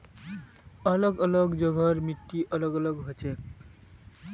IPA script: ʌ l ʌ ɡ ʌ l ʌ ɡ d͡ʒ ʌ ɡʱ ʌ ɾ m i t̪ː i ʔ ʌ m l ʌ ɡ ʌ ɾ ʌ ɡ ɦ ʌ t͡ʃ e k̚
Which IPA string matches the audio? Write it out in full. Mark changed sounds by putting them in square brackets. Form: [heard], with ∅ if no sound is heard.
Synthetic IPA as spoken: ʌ l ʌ ɡ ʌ l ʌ ɡ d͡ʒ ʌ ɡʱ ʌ ɾ m i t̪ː i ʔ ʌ [∅] l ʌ ɡ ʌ [l] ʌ ɡ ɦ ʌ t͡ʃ e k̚